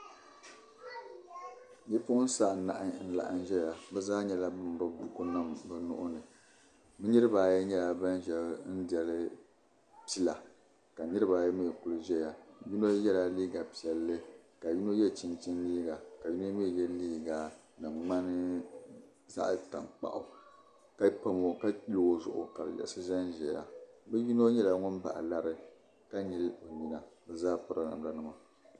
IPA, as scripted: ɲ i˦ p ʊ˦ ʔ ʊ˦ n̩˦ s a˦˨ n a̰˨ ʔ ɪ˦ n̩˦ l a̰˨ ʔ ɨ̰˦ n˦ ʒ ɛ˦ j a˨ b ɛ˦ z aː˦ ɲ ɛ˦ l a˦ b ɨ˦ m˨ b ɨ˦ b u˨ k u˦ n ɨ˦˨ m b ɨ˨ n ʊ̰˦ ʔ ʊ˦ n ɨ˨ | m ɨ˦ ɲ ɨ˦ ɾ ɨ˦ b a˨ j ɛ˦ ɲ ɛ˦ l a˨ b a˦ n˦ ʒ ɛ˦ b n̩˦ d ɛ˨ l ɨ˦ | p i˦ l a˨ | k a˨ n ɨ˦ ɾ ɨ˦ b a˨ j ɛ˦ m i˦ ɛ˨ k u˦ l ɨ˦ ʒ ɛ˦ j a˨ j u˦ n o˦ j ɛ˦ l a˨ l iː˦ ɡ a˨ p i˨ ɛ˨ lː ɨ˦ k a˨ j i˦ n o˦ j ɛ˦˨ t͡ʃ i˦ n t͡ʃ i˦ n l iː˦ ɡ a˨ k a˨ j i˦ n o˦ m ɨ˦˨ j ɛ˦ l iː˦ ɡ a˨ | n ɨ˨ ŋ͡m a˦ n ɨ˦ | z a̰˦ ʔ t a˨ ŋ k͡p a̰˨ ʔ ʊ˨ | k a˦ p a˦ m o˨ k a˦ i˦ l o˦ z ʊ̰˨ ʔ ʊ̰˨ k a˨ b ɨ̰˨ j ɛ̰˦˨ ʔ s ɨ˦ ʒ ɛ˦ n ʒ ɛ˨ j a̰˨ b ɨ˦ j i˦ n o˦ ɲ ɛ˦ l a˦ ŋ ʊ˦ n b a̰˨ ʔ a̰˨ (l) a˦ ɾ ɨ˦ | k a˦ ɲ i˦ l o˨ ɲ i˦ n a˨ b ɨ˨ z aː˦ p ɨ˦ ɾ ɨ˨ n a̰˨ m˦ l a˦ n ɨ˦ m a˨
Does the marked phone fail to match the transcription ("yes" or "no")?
no